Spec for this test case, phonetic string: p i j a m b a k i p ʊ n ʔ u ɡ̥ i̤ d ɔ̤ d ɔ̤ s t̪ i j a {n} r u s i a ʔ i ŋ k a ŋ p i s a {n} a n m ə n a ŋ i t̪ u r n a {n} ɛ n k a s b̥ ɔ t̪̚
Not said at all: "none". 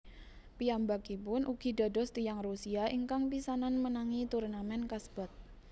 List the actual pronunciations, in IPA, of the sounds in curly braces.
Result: ŋ, n, m

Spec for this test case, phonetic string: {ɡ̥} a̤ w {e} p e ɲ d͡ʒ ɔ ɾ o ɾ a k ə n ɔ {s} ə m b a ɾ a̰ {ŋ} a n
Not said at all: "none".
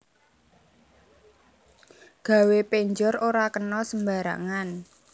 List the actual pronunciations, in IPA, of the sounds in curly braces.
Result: ɡ̥, e, s, ŋ

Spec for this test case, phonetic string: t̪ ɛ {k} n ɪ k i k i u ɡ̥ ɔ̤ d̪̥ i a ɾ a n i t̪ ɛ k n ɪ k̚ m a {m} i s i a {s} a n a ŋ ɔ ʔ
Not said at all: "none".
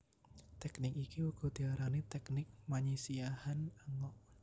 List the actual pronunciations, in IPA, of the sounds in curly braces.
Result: k, ɲ, h

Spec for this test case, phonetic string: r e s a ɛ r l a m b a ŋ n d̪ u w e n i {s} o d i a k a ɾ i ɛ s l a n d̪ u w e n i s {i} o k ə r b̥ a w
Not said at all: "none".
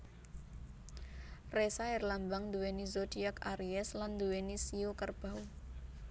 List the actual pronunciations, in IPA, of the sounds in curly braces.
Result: z, i

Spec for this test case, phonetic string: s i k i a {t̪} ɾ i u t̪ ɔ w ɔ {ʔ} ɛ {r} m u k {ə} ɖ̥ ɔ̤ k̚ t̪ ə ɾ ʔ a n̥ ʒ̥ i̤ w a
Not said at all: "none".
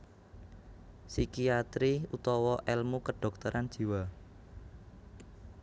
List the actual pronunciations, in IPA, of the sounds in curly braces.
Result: t̪, ʔ, l, ə

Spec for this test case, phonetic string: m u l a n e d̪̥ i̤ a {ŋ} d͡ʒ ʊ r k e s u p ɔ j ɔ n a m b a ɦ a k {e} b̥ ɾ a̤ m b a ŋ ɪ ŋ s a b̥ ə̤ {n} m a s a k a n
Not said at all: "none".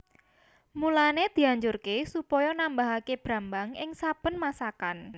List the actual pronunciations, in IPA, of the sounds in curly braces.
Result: ɲ, e, n

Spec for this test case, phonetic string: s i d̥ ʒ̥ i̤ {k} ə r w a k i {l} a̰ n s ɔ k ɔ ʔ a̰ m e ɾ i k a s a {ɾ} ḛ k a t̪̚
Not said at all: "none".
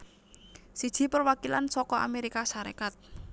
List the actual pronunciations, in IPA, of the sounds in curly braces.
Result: p, l, ɾ

